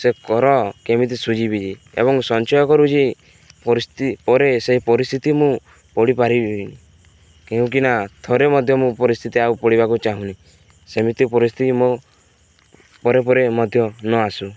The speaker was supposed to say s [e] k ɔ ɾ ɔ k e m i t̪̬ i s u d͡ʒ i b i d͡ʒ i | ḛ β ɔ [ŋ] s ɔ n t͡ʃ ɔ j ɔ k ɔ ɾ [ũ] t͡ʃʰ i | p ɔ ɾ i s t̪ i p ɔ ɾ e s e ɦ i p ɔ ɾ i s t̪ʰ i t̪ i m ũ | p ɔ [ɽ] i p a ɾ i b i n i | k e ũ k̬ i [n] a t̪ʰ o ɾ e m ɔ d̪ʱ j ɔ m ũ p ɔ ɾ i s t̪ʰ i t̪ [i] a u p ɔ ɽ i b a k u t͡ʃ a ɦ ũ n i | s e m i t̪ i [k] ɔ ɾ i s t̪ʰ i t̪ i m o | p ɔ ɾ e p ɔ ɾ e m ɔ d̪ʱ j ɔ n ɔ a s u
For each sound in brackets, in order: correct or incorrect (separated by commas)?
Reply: correct, correct, incorrect, correct, correct, correct, incorrect